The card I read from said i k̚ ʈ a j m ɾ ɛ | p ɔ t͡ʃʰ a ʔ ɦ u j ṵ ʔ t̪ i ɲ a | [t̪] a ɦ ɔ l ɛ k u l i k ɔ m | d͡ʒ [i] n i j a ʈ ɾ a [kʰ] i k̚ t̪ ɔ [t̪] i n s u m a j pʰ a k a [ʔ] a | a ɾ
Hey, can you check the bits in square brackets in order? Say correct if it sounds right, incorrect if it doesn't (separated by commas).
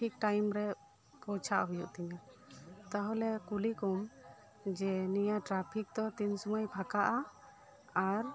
correct, incorrect, incorrect, correct, correct